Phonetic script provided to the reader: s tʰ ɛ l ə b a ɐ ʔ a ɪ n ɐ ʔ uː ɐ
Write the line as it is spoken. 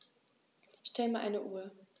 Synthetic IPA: ʃ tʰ ɛ l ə m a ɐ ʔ a ɪ n ə ʔ uː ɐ